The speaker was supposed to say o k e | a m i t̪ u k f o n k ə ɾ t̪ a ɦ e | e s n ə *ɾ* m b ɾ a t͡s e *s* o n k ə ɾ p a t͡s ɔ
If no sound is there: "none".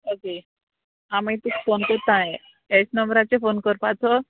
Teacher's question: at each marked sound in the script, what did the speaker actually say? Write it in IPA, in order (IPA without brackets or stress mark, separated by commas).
none, f